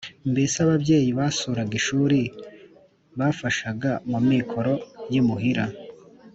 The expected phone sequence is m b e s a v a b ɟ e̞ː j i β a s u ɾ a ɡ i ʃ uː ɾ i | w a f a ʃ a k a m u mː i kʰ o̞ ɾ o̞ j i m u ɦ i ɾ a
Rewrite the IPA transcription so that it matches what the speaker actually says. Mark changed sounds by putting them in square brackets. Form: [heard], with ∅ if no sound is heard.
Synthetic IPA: m b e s a [β] a b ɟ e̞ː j i β a s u ɾ a ɡ i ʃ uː ɾ i | [β] a f a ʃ a [ɡ] a m u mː i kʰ o̞ ɾ o̞ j i m u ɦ i ɾ a